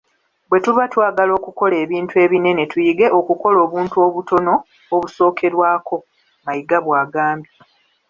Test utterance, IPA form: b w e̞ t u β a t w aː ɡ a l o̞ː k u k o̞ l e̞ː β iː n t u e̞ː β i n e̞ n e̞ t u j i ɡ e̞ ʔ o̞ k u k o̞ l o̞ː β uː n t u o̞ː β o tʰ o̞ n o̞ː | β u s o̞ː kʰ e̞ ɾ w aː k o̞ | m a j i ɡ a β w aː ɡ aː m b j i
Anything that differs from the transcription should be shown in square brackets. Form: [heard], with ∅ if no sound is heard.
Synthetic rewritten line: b w e̞ t u β a t w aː ɡ a l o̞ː k u k o̞ l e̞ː β iː n t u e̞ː β i n e̞ n e̞ t u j i ɡ e̞ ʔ o̞ k u k o̞ l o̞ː β uː n t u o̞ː β [u] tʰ o̞ n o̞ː | β u s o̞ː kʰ e̞ ɾ w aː k o̞ | m a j i ɡ a β w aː ɡ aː m b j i